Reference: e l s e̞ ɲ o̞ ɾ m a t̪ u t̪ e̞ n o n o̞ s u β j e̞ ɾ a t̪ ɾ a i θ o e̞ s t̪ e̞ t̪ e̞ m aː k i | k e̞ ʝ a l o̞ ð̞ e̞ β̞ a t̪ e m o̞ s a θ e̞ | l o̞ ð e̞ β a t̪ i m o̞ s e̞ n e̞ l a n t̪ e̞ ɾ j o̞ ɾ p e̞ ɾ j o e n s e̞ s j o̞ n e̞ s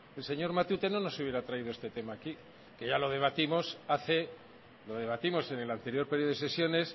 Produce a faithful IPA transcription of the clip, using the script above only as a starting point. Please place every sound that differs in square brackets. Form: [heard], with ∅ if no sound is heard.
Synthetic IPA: e l s e̞ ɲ o̞ ɾ m a t̪ u t̪ e̞ n o n o̞ s u β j e̞ ɾ a t̪ ɾ a i [ð] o e̞ s t̪ e̞ t̪ e̞ m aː k i | k e̞ ʝ a l o̞ ð̞ e̞ β̞ a t̪ [i] m o̞ s a θ e̞ | l o̞ ð e̞ β a t̪ i m o̞ s e̞ n e̞ l a n t̪ e̞ ɾ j o̞ ɾ p e̞ ɾ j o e [∅] s e̞ s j o̞ n e̞ s